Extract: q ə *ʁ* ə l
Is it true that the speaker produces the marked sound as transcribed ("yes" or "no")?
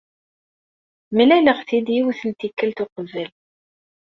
no